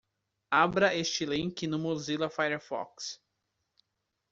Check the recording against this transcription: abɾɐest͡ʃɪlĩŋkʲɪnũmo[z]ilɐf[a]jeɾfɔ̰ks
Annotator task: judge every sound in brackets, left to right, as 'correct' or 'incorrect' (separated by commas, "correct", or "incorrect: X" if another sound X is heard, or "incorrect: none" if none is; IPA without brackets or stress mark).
correct, correct